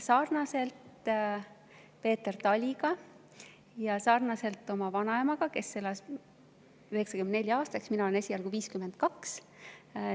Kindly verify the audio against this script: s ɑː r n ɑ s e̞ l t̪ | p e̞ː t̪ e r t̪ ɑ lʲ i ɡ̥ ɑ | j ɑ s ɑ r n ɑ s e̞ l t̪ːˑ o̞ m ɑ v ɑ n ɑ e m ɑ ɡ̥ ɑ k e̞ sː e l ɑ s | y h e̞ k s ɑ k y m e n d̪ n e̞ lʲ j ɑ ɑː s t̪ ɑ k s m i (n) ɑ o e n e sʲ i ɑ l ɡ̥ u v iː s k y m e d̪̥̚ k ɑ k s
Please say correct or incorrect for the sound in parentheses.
correct